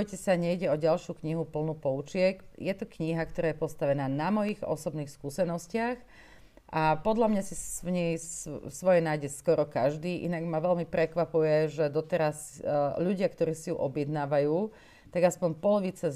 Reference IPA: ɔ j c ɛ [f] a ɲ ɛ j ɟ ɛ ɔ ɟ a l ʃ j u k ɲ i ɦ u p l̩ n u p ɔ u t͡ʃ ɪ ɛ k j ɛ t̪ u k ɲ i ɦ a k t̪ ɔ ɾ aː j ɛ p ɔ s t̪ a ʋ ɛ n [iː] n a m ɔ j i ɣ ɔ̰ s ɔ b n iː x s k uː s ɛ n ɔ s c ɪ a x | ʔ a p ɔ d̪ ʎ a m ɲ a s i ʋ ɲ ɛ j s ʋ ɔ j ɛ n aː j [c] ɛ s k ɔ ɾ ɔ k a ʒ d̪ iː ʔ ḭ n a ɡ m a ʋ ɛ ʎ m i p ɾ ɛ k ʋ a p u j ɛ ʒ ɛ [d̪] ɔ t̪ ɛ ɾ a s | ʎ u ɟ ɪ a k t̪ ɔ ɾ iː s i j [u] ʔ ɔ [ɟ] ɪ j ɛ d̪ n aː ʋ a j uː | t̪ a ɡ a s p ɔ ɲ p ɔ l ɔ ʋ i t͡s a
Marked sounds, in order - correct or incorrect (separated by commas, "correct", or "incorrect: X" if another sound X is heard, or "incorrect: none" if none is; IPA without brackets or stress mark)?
incorrect: s, incorrect: aː, incorrect: ɟ, correct, correct, incorrect: b